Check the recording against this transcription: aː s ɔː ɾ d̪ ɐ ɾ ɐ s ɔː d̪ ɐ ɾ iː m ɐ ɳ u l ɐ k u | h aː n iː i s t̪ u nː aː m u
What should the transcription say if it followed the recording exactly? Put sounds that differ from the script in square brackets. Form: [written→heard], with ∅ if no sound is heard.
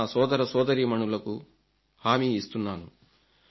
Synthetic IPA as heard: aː s ɔː [ɾ→∅] d̪ ɐ ɾ ɐ s ɔː d̪ ɐ ɾ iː m ɐ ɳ u l ɐ k u | h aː [n→m] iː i s t̪ u nː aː [m→n] u

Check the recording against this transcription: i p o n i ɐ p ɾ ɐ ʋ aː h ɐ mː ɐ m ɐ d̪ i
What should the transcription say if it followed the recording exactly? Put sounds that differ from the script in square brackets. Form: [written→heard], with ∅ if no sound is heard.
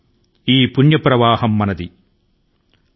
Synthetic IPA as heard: [i→iː] p [o→u] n [i→j] ɐ p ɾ ɐ ʋ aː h ɐ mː ɐ [m→n] ɐ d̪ i

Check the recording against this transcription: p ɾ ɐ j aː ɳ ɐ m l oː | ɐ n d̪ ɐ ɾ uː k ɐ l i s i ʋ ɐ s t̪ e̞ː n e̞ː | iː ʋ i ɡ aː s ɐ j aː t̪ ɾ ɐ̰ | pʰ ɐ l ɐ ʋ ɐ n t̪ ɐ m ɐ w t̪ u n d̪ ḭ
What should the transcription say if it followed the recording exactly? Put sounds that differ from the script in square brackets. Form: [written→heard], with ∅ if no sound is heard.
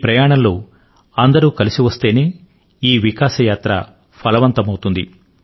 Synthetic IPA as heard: p ɾ ɐ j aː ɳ ɐ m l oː | ɐ n d̪ ɐ ɾ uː k ɐ l i s i ʋ ɐ s t̪ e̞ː n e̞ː | iː ʋ i [ɡ→k] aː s ɐ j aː t̪ ɾ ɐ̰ | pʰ ɐ l ɐ ʋ ɐ n t̪ ɐ m ɐ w t̪ u n d̪ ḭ

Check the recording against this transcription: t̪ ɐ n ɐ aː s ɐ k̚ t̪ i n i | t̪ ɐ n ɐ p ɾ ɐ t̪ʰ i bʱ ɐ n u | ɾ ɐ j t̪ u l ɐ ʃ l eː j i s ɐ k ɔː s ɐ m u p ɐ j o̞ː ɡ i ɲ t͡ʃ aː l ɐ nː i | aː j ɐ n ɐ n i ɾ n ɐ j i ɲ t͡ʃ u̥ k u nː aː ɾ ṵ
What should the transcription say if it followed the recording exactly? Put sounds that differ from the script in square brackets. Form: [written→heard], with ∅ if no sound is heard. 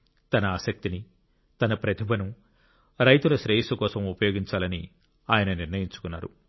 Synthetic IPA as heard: t̪ ɐ n ɐ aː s ɐ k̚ t̪ i n i | t̪ ɐ n ɐ p ɾ ɐ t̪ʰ i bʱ ɐ n u | ɾ ɐ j t̪ u l ɐ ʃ [l→ɾ] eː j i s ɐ k ɔː s ɐ m u p ɐ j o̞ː ɡ i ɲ t͡ʃ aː l ɐ [nː→n] i | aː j ɐ n ɐ n i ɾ n ɐ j i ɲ t͡ʃ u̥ k u nː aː ɾ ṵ

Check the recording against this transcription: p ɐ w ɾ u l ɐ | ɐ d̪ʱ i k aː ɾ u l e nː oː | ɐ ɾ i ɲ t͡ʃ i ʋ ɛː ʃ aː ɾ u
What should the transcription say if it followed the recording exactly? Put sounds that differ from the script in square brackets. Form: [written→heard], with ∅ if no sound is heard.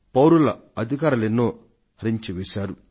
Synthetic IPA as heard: p ɐ w ɾ u l ɐ | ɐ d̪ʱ i k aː ɾ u l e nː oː | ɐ ɾ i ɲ t͡ʃ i ʋ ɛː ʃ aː ɾ u

